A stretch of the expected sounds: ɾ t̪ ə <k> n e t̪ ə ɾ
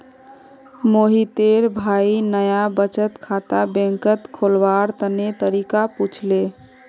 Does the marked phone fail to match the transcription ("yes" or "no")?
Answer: yes